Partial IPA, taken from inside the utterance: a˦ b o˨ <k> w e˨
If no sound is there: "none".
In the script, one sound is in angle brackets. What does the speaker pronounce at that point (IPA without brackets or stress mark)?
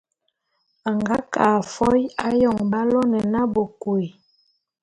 k